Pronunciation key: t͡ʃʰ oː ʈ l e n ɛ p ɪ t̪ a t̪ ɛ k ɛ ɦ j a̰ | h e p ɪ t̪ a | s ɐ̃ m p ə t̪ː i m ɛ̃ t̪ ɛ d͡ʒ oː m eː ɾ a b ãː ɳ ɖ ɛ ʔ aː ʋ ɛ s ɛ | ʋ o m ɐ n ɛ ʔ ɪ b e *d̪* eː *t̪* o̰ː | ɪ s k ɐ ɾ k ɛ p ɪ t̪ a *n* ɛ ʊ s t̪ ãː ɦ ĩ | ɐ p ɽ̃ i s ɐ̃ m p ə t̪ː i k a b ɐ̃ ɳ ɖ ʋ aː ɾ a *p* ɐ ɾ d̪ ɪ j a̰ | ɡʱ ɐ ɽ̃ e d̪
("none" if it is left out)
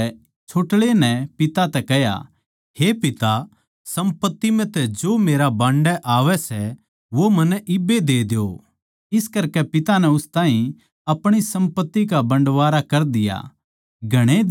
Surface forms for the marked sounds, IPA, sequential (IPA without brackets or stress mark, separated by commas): d̪, d̪, n, k